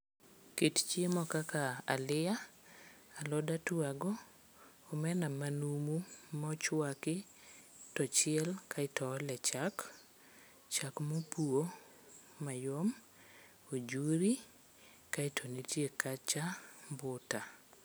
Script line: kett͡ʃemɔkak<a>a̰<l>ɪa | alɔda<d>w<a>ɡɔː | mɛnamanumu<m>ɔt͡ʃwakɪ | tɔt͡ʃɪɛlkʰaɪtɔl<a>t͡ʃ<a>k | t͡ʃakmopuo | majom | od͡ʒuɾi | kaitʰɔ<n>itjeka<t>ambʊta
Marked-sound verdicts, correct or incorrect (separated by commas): correct, correct, incorrect, correct, correct, incorrect, correct, correct, incorrect